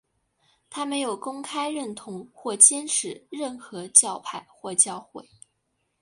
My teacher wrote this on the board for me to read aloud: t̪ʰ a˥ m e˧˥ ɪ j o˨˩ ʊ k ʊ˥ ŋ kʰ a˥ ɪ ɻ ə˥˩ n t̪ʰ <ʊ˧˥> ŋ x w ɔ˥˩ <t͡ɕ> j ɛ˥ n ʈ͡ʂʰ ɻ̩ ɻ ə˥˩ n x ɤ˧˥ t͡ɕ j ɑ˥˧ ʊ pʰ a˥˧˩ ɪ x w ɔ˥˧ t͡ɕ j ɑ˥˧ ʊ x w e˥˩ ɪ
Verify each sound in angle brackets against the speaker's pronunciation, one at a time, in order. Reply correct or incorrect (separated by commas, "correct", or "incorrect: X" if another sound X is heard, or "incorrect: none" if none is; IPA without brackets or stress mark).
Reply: correct, correct